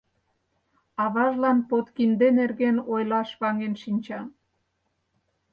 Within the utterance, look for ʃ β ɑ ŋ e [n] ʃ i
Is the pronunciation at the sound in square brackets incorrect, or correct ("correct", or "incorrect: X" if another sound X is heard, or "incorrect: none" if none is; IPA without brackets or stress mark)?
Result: correct